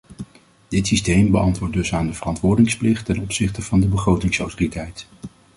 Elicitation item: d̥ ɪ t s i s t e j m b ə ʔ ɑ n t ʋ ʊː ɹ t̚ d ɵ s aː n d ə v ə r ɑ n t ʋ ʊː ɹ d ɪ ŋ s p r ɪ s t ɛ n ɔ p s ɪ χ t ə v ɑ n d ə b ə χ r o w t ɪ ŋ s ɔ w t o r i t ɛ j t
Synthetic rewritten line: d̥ ɪ t s i s t e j m b ə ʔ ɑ n t ʋ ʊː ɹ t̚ d ɵ s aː n d ə v ə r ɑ n t ʋ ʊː ɹ d ɪ ŋ s p l ɪ χ t ɛ n ɔ p s ɪ χ t ə v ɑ n d ə b ə χ r o w t ɪ ŋ s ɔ w t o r i t ɛ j t